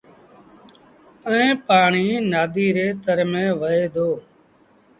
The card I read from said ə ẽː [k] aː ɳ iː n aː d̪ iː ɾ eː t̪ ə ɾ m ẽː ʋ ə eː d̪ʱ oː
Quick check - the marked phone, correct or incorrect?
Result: incorrect